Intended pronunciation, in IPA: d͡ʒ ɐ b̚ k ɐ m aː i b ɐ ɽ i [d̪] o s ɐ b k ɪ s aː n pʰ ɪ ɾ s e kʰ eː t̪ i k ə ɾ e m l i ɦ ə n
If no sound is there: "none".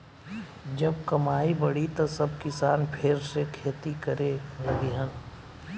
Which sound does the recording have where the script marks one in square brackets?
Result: t̪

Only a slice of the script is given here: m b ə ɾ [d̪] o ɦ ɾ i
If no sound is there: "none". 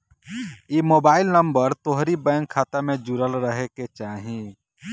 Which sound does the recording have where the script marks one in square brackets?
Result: t̪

